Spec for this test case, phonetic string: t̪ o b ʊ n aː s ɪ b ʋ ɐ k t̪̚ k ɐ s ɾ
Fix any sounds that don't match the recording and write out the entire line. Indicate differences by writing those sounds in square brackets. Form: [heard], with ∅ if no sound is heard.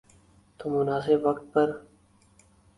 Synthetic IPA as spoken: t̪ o [m] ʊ n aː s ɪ b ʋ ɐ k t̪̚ [p] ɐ [∅] ɾ